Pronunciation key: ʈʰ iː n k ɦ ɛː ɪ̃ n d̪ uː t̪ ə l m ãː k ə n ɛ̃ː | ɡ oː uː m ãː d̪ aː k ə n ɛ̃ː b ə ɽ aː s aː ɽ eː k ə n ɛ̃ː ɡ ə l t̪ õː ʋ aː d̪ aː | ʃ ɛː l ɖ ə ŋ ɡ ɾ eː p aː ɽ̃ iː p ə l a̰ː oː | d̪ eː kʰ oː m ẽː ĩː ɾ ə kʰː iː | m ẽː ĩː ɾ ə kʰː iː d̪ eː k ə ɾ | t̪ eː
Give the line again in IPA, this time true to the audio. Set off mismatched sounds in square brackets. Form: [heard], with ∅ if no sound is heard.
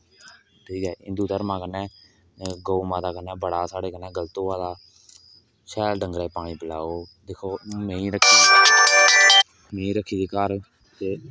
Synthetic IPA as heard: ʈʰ iː [∅] k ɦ ɛː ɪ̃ n d̪ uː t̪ ə [ɾ] m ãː k ə n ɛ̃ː | ɡ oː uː m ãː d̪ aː k ə n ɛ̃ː b ə ɽ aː s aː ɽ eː k ə n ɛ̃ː ɡ ə l t̪ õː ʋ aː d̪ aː | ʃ ɛː l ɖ ə ŋ ɡ ɾ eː p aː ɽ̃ iː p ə l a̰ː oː | d̪ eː kʰ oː m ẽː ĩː ɾ ə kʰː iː | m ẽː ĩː ɾ ə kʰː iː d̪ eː k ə ɾ | t̪ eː